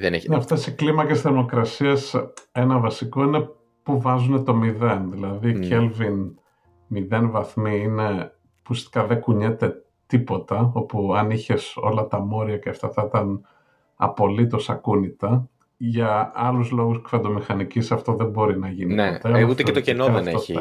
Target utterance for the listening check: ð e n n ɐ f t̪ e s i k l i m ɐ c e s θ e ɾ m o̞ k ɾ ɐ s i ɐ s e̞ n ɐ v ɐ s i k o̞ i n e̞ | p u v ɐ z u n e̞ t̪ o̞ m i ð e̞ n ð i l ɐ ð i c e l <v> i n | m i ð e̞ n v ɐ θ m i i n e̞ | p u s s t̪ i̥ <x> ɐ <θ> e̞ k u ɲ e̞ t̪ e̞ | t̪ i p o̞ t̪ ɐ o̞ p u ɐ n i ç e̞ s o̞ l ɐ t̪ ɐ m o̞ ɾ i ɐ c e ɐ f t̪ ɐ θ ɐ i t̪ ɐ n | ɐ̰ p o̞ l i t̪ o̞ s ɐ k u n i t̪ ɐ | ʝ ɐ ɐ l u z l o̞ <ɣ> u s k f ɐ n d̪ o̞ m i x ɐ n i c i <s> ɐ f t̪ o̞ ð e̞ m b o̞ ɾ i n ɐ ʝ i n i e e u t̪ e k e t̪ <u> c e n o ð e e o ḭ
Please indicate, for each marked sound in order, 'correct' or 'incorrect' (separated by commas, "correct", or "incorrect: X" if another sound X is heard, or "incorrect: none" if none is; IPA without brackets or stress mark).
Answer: correct, incorrect: k, incorrect: ð, correct, correct, incorrect: o